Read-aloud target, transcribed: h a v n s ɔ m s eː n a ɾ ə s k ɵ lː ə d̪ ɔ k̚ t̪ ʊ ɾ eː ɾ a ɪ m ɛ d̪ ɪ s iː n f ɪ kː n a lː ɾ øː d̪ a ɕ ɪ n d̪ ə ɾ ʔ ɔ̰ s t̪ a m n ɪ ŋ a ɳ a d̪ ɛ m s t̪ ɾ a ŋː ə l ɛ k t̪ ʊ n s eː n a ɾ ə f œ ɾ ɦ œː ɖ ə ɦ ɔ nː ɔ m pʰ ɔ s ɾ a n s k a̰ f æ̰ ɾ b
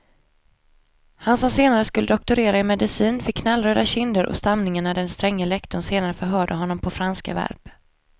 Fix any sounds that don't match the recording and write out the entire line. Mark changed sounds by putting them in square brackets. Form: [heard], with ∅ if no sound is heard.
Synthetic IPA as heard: h a [∅] n s ɔ m s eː n a ɾ ə s k ɵ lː ə d̪ ɔ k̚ t̪ ʊ ɾ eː ɾ a ɪ m ɛ d̪ ɪ s iː n f ɪ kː n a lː ɾ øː d̪ a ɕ ɪ n d̪ ə ɾ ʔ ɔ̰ s t̪ a m n ɪ ŋ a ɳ a d̪ ɛ [n] s t̪ ɾ [ɛ] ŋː ə l ɛ k t̪ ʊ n s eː n a ɾ ə f œ ɾ ɦ œː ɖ ə ɦ ɔ nː ɔ m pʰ ɔ [f] ɾ a n s k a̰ [v] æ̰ ɾ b